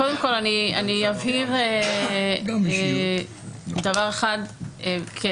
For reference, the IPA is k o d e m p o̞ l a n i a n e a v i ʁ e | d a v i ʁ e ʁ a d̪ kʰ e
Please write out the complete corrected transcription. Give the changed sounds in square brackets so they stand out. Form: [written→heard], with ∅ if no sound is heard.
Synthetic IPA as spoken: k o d e m [p→k] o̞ l a n i a n [e→i] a v i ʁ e | d a v [i→a] ʁ e [ʁ→χ] a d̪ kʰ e